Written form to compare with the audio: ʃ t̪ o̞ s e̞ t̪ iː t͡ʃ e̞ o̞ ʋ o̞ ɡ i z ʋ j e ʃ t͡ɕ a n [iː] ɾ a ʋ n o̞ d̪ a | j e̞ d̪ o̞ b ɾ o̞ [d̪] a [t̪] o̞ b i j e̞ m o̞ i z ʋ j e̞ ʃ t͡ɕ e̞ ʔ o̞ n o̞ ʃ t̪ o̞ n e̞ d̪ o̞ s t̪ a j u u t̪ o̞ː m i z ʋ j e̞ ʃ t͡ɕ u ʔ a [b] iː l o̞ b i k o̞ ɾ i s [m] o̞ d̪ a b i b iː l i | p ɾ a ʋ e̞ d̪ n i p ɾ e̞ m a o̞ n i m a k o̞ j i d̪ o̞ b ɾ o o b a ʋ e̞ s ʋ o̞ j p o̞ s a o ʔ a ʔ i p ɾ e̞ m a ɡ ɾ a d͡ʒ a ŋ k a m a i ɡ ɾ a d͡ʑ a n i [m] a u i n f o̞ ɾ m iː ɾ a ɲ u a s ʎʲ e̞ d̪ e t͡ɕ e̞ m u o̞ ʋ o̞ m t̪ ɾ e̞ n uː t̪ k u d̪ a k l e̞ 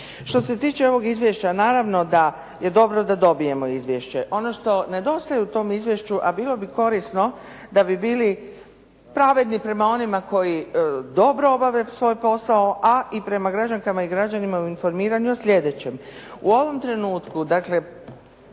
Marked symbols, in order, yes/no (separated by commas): no, yes, no, yes, no, yes